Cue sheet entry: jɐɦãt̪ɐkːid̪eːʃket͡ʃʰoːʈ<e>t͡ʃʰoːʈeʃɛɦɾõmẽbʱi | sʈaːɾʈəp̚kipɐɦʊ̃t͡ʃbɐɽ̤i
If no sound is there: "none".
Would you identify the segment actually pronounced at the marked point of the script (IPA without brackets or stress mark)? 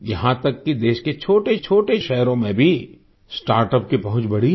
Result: e